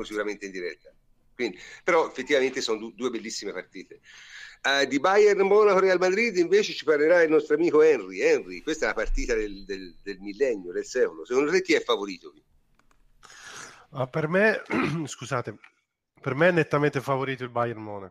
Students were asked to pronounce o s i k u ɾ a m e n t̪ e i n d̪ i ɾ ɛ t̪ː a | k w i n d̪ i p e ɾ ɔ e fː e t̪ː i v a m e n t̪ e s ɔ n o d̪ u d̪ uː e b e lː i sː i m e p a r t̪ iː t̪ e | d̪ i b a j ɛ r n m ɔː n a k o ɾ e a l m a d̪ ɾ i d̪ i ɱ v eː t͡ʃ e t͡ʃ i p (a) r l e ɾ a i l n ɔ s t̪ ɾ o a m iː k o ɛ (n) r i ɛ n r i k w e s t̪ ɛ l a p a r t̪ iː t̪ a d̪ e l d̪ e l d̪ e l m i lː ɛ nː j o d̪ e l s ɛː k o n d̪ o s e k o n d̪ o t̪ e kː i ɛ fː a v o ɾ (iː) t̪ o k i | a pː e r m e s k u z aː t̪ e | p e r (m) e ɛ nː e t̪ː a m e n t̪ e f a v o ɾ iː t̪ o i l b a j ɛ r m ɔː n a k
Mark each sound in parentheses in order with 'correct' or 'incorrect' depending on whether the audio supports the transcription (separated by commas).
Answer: correct, correct, correct, correct